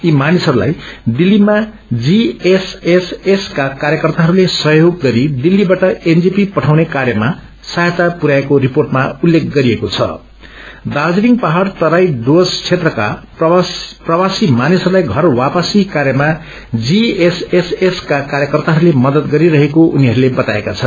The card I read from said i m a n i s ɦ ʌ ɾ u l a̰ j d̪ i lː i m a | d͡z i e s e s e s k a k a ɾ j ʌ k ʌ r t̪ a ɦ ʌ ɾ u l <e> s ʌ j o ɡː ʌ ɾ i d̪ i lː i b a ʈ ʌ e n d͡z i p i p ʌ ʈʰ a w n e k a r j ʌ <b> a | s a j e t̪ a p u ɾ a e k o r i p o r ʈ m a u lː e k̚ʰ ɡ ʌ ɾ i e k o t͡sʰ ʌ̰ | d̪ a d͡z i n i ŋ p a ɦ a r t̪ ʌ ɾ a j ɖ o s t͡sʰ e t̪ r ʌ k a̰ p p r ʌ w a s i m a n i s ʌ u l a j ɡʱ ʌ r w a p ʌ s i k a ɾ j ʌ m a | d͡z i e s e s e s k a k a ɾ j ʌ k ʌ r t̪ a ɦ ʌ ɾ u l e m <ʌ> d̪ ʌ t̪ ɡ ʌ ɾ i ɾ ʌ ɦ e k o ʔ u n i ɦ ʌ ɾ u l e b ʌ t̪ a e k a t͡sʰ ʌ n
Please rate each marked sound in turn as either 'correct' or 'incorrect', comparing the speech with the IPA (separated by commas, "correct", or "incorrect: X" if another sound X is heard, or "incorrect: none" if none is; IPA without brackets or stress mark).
correct, incorrect: m, correct